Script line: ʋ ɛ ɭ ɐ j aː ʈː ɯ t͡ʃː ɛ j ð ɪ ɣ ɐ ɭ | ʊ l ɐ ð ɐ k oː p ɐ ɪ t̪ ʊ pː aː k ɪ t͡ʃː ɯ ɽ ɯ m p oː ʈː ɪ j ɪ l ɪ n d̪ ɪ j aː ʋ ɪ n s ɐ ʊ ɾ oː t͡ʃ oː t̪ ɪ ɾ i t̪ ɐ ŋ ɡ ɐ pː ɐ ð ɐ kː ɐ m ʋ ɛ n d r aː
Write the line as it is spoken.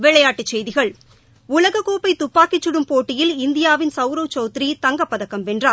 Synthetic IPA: ʋ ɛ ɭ ɐ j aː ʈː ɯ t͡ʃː ɛ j ð ɪ ɣ ɐ ɭ | ʊ l ɐ ɣ ɐ k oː p ɐ ɪ t̪ ʊ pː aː k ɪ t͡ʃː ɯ ɽ ɯ m p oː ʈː ɪ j ɪ l ɪ n d̪ ɪ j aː ʋ ɪ n s ɐ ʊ ɾ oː t͡ʃ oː t̪ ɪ ɾ i t̪ ɐ ŋ ɡ ɐ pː ɐ ð ɐ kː ɐ m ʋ ɛ n d r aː